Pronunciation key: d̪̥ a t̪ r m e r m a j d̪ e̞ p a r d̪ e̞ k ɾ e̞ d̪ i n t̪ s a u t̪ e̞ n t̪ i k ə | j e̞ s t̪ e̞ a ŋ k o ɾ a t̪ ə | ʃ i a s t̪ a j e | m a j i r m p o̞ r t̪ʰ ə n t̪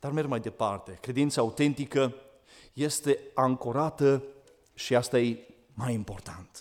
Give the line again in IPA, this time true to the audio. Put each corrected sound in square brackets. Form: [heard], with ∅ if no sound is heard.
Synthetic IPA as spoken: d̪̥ a [∅] r m e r m a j d̪ e̞ p a r [t̪] e̞ k ɾ e̞ d̪ i n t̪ s a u t̪ e̞ n t̪ i k ə | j e̞ s t̪ e̞ a ŋ k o ɾ a t̪ ə | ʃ i a s t̪ a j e | m a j i [∅] m p o̞ r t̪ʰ [a] n t̪